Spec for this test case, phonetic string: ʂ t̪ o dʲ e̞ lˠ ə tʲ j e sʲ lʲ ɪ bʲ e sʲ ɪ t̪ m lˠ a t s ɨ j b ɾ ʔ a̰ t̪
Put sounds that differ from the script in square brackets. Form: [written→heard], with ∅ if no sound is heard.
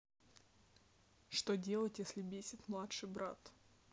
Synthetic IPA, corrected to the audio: ʂ t̪ o dʲ e̞ lˠ ə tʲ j e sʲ lʲ ɪ bʲ e sʲ ɪ t̪ m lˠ a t [s→ʂ] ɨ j b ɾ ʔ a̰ t̪